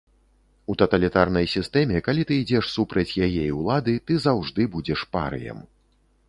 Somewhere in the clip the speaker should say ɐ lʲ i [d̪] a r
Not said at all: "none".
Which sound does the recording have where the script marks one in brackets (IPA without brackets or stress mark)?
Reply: t̪